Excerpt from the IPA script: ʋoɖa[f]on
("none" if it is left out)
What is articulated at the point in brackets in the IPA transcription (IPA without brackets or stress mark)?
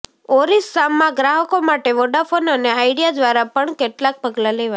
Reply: f